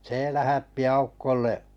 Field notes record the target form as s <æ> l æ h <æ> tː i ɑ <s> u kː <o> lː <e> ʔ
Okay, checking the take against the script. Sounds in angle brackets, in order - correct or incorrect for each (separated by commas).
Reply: incorrect, correct, incorrect, correct, correct